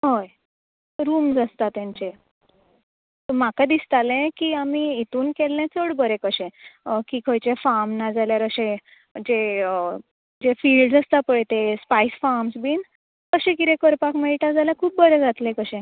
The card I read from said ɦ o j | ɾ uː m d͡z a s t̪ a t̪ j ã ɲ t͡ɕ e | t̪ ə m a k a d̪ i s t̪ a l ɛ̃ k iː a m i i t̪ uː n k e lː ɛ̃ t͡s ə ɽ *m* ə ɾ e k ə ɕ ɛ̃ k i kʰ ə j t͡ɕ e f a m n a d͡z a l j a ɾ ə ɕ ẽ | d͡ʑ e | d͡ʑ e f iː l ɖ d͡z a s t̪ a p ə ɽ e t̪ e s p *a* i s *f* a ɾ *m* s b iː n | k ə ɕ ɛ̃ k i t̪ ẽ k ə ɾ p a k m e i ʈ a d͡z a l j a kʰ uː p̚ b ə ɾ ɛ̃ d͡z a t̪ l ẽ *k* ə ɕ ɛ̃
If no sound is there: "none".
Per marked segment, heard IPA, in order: b, a, f, m, k

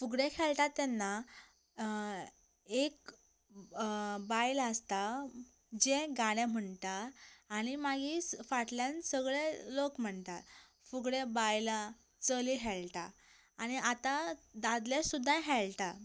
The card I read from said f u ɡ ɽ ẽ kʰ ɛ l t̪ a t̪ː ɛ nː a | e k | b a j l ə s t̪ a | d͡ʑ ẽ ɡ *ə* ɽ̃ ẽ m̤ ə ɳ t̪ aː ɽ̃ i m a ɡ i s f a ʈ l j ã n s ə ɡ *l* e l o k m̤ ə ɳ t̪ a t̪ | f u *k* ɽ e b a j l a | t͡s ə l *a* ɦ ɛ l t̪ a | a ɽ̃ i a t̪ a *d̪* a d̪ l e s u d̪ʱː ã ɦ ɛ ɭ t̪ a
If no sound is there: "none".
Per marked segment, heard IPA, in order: a, ɭ, ɡ, i, d̪

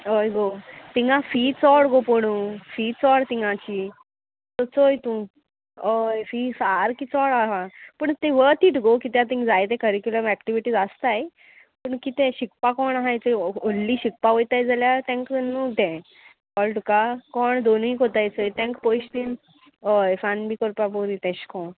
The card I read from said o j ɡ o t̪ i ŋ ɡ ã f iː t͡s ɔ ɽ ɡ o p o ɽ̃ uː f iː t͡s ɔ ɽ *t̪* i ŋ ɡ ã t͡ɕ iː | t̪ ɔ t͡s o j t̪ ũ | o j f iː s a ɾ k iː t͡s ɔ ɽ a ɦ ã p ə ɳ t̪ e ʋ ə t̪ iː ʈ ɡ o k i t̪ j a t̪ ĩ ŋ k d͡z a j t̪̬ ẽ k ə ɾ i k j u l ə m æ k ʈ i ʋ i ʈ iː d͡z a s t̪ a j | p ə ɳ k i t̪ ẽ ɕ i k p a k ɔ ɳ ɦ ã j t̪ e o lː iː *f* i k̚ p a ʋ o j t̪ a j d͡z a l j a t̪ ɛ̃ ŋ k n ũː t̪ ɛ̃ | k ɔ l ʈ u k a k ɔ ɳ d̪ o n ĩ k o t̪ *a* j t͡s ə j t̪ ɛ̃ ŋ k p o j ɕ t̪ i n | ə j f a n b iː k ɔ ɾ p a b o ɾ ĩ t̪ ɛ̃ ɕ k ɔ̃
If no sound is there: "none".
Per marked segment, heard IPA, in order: t̪, ɕ, a

